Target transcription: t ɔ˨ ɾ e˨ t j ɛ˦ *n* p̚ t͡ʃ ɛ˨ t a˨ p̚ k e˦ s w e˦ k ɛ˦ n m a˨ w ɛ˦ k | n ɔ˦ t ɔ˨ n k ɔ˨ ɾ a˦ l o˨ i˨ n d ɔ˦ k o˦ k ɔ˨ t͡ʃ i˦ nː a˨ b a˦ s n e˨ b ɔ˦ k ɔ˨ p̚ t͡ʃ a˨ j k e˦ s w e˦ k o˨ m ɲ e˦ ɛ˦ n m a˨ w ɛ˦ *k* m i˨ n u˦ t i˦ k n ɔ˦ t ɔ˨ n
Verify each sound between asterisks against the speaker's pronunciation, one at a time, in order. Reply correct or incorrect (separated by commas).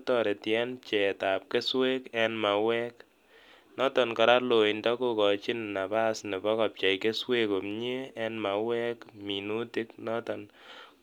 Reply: correct, correct